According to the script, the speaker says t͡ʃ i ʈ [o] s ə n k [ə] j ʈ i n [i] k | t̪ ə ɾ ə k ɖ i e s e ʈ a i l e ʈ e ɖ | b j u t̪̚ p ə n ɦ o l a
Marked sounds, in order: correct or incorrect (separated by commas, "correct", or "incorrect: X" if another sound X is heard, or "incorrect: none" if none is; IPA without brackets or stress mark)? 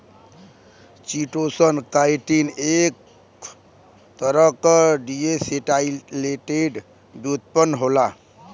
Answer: correct, incorrect: a, incorrect: e